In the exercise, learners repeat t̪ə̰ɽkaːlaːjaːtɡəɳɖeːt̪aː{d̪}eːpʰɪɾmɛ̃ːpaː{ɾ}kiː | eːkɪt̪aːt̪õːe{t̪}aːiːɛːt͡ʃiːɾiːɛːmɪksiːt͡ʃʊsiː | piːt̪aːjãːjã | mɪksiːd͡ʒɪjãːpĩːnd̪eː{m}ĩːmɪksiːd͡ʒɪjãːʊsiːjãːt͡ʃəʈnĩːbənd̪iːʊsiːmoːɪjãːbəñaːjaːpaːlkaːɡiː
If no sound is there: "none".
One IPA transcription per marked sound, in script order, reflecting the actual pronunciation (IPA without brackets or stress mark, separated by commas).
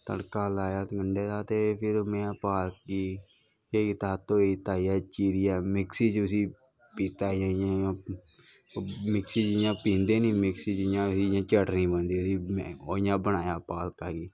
t̪, l, t̪, n